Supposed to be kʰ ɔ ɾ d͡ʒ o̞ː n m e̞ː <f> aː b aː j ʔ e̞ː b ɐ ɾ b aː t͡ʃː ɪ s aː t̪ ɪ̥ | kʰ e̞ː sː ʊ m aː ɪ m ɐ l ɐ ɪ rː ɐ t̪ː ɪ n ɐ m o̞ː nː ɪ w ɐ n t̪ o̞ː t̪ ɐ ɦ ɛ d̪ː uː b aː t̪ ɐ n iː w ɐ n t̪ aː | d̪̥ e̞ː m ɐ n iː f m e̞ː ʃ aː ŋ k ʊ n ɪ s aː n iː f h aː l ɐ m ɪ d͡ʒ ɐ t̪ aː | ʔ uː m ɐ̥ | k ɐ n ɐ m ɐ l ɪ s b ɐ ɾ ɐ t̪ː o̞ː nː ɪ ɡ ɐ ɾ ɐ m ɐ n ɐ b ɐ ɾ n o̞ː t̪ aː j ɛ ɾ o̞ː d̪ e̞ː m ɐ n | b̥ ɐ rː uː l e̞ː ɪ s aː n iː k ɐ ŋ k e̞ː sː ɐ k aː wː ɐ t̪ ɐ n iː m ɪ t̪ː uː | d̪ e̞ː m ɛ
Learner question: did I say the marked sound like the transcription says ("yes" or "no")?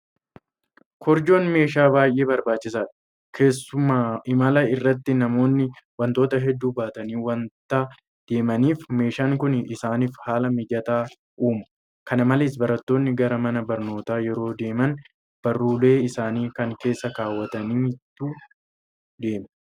no